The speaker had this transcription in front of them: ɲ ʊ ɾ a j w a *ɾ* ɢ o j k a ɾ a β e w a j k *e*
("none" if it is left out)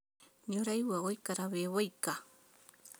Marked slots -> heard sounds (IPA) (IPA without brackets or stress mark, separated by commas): none, a